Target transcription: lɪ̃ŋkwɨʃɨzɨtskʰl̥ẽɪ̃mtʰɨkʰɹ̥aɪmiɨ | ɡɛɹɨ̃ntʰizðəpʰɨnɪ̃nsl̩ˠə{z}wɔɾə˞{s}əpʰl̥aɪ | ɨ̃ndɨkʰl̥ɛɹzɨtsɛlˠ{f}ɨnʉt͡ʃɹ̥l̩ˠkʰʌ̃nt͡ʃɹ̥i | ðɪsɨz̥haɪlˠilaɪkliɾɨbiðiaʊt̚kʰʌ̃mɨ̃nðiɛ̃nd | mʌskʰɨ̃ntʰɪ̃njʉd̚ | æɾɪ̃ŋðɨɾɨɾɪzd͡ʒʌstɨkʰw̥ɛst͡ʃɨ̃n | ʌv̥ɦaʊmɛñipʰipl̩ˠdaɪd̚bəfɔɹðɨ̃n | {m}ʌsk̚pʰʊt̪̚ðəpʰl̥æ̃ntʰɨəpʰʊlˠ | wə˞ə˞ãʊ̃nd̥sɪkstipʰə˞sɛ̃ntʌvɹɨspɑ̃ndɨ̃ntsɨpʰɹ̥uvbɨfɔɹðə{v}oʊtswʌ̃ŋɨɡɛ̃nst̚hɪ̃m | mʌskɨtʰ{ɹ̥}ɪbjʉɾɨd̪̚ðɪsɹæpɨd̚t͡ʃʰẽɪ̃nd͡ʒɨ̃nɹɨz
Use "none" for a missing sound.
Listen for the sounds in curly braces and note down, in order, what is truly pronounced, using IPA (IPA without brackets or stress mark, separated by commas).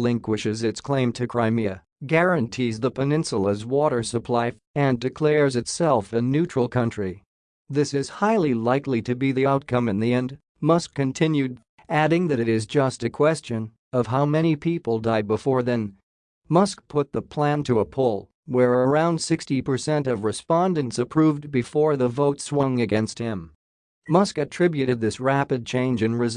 z, s, f, m, v, ɹ̥